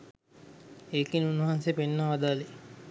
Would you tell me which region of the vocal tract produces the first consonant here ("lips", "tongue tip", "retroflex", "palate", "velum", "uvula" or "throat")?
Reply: velum